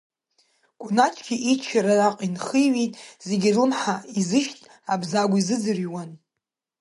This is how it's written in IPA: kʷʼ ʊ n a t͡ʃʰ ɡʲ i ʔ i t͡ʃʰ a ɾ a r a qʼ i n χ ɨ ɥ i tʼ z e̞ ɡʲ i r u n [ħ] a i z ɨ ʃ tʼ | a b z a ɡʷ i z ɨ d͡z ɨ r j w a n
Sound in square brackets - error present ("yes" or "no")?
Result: no